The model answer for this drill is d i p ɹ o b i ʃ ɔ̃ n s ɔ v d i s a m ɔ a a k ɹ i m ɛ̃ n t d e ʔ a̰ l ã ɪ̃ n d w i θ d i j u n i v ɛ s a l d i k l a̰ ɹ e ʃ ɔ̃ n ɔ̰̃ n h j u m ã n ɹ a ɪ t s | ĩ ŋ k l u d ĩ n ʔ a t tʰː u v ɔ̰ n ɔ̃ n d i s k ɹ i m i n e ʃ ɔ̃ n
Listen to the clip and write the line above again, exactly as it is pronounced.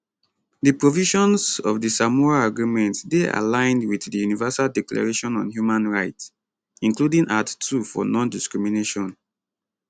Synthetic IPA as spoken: d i p ɹ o v i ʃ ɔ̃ n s ɔ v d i s a m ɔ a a ɡ ɹ i m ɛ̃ n t d e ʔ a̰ l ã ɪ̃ n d w i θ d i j u n i v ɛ s a l d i k l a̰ ɹ e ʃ ɔ̃ n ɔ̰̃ n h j u m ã n ɹ a ɪ t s | ĩ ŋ k l u d ĩ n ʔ a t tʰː u f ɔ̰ n ɔ̃ n d i s k ɹ i m i n e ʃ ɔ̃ n